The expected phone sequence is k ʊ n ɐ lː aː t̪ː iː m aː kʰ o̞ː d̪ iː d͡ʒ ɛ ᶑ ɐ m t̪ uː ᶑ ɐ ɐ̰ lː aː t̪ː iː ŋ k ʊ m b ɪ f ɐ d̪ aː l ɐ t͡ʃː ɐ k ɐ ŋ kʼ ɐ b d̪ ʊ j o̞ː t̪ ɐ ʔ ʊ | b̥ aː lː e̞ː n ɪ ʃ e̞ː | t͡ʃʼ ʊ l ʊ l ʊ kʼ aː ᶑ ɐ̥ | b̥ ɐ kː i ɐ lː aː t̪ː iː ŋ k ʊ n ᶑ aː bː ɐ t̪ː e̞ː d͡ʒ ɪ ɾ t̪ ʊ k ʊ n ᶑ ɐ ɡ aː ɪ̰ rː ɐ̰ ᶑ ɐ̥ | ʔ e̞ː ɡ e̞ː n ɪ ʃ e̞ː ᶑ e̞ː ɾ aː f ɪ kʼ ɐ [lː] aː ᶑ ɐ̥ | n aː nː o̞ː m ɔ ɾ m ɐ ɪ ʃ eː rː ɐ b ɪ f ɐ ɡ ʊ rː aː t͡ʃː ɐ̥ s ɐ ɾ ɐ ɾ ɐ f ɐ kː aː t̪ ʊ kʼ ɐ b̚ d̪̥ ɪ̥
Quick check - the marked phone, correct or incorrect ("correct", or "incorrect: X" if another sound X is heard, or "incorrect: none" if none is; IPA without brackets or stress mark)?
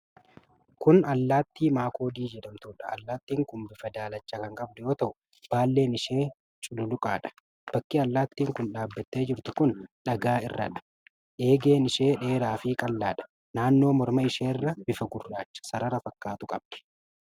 correct